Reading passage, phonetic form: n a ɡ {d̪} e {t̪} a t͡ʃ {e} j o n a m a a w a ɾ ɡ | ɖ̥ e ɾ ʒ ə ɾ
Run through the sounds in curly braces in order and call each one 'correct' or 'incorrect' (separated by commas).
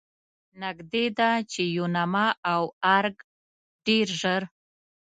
correct, incorrect, correct